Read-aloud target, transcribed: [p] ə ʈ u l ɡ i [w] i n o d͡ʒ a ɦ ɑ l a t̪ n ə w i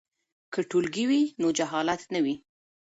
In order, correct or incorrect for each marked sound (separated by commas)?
incorrect, correct